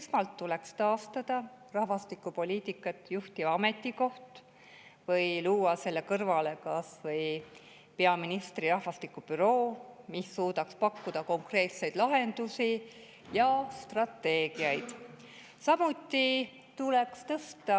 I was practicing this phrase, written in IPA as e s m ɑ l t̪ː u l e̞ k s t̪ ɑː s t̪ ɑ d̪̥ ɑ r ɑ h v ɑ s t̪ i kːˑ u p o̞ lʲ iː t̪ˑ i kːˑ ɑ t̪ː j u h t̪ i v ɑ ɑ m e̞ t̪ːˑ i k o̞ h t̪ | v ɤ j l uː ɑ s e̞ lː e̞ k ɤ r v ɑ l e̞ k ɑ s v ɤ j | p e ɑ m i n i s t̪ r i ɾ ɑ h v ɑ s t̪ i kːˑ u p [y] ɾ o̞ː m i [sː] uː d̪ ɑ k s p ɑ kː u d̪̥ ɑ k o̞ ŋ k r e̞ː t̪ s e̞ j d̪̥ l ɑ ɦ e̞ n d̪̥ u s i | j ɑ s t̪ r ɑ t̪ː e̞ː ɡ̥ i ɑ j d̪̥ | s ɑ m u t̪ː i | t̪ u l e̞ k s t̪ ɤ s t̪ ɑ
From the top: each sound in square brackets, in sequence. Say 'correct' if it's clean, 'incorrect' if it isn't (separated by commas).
correct, correct